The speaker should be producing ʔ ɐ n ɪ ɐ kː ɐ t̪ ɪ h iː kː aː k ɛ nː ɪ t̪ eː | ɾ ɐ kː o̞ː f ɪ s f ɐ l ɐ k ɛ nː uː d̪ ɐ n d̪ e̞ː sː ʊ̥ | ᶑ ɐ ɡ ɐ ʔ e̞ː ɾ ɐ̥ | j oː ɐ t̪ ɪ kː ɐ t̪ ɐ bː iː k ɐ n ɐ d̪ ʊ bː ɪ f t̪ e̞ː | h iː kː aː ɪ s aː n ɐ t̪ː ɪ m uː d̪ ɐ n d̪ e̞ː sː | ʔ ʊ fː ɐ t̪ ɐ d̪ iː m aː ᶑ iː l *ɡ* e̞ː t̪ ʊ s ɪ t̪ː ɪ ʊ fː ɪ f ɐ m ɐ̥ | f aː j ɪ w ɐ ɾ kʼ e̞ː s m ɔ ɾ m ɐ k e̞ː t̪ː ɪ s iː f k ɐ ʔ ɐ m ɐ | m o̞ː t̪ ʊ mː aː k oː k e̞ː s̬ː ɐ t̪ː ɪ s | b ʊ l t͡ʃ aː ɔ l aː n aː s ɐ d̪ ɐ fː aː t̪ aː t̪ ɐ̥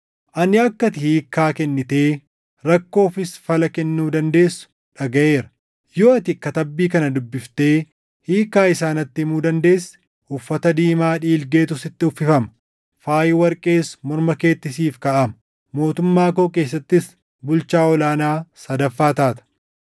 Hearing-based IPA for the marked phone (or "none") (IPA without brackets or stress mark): ɡ